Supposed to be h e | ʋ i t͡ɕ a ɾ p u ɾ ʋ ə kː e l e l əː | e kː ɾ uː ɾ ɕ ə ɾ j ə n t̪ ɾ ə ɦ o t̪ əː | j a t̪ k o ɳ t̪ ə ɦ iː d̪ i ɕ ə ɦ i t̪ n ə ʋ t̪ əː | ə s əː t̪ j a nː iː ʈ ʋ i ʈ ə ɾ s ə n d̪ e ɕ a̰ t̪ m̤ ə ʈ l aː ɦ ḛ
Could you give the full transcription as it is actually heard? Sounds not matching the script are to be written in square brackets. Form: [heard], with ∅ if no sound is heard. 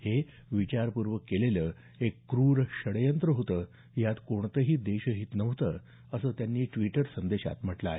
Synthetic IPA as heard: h e | ʋ i t͡ɕ a ɾ p u ɾ ʋ ə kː e l e l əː | e kː ɾ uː ɾ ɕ ə [ɽ] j ə n t̪ ɾ ə ɦ o t̪ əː | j a t̪ k o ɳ t̪ ə ɦ iː d̪ [e] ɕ ə ɦ i t̪ n ə ʋ t̪ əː | ə s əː t̪ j a nː iː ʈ ʋ i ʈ ə ɾ s ə n d̪ e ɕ a̰ t̪ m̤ ə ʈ l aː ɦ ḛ